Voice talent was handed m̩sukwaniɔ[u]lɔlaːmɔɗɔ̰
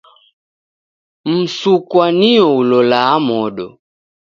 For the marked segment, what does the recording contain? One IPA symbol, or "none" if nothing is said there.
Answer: u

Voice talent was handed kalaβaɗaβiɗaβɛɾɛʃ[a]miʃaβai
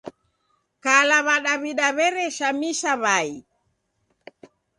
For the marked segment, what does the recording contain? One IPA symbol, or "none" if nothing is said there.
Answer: a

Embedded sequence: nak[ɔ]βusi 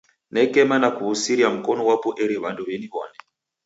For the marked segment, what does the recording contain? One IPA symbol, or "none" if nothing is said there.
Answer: u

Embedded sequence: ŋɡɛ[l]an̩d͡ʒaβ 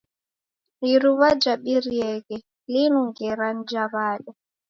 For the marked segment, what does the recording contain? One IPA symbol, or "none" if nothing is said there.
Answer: ɾ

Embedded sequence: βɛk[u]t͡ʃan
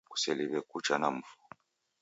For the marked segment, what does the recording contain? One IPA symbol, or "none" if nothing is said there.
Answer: u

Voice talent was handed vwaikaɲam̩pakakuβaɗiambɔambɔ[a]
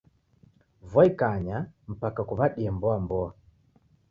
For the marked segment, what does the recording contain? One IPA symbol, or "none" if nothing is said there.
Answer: a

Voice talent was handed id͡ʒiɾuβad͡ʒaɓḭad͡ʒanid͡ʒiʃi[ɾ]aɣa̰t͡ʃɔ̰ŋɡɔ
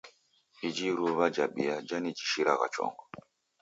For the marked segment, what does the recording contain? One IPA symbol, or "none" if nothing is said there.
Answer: ɾ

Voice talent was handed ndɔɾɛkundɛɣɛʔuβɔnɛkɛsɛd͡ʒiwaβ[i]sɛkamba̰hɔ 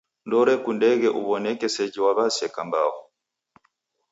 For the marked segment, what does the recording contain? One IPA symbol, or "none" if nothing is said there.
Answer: a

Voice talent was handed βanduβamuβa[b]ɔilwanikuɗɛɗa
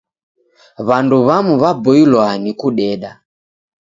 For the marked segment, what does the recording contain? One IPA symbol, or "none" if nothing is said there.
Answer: b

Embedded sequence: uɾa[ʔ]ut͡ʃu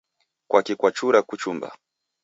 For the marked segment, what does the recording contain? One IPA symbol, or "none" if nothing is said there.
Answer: k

